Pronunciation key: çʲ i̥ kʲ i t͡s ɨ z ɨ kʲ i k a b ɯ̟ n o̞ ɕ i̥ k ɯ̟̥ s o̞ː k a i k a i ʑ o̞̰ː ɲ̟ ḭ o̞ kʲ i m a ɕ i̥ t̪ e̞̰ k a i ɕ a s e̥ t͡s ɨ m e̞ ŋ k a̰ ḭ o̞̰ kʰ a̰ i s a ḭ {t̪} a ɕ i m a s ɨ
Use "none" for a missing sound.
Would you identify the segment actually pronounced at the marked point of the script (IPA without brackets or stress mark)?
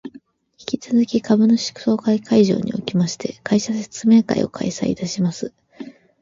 t̪